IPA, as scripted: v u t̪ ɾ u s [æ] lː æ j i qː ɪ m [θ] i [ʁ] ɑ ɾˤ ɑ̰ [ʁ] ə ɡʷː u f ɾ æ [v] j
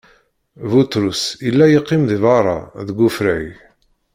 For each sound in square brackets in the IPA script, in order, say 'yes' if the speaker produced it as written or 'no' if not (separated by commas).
no, no, no, no, no